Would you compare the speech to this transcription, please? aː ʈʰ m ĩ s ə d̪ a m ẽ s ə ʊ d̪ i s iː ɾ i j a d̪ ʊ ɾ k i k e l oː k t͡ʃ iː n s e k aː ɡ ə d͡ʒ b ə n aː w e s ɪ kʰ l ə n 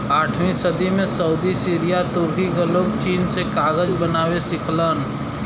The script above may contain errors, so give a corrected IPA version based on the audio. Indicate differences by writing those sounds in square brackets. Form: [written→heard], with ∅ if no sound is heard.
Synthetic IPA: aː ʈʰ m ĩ s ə d̪ [a→i] m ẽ s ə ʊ d̪ i s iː ɾ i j a [d̪→t̪] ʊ ɾ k i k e l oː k t͡ʃ iː n s e k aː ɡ ə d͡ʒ b ə n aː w e s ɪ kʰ l ə n